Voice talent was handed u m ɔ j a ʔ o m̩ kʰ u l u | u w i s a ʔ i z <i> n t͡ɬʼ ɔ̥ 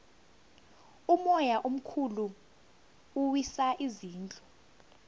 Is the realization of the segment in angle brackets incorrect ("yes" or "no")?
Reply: yes